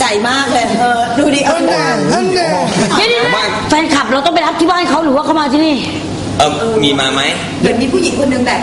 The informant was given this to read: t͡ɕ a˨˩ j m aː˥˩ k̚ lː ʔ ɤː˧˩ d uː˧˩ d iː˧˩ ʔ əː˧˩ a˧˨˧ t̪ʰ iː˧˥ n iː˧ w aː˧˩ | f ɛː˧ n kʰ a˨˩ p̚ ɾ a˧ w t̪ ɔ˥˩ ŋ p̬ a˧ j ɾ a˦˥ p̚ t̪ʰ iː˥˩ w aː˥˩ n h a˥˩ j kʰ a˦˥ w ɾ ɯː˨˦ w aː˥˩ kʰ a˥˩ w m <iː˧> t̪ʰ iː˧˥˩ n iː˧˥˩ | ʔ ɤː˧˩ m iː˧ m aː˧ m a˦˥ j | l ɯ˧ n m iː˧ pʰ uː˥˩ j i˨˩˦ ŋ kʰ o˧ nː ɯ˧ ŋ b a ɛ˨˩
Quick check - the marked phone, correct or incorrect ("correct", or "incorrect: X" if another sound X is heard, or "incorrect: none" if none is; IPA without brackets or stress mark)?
incorrect: aː˧